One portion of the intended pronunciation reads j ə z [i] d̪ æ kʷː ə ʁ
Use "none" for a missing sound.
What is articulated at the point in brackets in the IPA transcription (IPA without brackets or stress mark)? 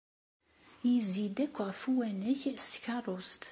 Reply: i